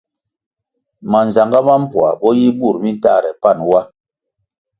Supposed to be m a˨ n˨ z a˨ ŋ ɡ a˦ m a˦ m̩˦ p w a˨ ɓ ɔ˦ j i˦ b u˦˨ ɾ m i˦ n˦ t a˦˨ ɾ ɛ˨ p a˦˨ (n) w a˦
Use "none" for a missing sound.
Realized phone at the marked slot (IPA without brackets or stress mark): n